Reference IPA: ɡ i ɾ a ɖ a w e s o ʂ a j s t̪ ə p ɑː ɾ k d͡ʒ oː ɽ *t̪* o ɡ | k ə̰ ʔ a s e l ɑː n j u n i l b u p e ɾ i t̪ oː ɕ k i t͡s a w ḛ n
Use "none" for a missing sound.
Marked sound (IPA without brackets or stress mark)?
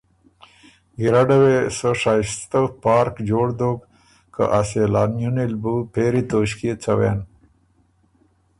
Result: d̪